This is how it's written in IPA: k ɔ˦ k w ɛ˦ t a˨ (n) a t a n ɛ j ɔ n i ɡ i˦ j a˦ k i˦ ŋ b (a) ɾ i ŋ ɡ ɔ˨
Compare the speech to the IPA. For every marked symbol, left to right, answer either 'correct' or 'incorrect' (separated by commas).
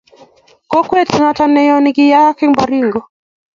correct, correct